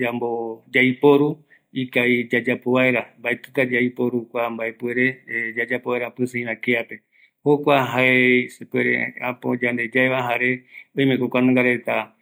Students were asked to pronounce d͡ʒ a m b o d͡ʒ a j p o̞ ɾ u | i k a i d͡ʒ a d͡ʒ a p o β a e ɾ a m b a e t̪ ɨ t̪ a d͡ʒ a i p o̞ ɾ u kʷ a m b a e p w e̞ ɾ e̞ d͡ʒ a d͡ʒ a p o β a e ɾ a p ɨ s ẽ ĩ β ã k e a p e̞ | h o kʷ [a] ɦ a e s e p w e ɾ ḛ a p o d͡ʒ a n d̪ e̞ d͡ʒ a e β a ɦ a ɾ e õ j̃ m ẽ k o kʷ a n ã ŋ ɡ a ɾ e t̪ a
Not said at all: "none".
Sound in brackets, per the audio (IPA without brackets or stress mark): a